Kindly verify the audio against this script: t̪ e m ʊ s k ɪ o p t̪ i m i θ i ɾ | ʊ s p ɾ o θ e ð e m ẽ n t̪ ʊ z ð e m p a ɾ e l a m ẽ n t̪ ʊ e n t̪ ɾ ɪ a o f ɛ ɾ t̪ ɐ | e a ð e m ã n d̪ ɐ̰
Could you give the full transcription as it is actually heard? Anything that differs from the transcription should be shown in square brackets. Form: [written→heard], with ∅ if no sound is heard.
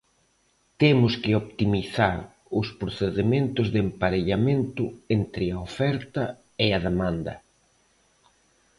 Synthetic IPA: t̪ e m ʊ s k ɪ o p t̪ i m i θ [i→a] ɾ | ʊ s p ɾ o θ e ð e m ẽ n t̪ ʊ z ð e m p a ɾ e [l→ʎ] a m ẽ n t̪ ʊ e n t̪ ɾ ɪ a o f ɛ ɾ t̪ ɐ | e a ð e m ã n d̪ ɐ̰